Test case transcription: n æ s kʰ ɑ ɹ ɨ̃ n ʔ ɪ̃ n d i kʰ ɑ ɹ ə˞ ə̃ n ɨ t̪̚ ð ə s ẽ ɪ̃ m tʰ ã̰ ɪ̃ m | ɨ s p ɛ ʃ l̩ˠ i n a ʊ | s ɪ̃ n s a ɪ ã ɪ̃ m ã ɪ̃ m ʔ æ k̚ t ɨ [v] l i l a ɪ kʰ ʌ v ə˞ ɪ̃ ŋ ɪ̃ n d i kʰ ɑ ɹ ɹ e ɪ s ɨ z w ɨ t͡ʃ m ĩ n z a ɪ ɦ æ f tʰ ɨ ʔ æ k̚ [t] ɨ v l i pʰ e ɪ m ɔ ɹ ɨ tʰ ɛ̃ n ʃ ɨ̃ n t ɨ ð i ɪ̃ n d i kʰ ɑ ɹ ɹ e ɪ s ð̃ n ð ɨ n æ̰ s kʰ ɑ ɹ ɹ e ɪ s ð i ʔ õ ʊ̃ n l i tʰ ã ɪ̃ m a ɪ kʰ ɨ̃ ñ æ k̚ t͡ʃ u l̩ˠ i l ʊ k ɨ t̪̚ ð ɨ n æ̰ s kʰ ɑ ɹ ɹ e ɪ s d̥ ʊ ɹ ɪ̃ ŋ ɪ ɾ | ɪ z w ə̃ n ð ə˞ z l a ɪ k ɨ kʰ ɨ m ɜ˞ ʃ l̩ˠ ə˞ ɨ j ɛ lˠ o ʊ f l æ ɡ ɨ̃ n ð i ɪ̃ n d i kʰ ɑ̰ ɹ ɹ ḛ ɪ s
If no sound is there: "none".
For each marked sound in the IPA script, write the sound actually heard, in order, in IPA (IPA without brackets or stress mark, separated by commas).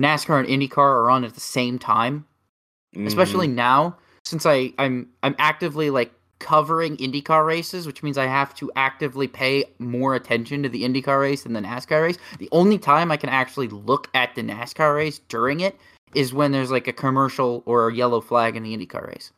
v, t